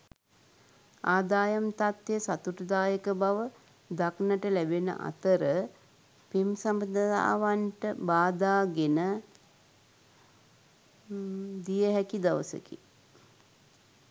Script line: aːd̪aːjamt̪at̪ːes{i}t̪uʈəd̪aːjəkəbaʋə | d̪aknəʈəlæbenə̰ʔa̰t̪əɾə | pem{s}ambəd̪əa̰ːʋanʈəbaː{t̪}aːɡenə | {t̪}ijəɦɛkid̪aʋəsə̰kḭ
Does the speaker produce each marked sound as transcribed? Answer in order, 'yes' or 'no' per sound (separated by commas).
no, yes, no, no